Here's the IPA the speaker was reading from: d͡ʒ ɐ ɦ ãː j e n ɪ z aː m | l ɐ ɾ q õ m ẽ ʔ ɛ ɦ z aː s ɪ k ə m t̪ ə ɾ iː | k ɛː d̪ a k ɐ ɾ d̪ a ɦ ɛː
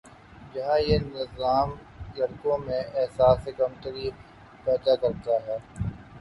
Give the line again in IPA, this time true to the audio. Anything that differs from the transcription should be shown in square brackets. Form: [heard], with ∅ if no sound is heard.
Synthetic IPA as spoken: d͡ʒ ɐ ɦ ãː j e n ɪ z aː m | l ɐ ɾ [k] õ m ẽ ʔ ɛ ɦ [s] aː s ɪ k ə m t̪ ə ɾ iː | [p] ɛː d̪ a k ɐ ɾ [t̪] a ɦ ɛː